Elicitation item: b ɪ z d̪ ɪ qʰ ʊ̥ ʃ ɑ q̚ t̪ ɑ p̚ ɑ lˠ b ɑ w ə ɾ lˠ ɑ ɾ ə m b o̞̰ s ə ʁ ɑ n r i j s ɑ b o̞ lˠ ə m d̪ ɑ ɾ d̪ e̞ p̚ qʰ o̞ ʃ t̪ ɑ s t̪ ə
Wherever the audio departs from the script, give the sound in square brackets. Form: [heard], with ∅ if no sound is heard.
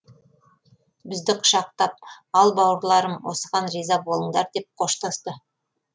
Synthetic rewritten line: b ɪ z d̪ ɪ qʰ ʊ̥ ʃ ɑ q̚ t̪ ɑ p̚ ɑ lˠ b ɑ w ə ɾ lˠ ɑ ɾ ə m [w] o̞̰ s ə ʁ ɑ n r i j [z] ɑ b o̞ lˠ ə [ɴ] d̪ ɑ ɾ d̪ e̞ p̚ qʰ o̞ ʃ t̪ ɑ s t̪ ə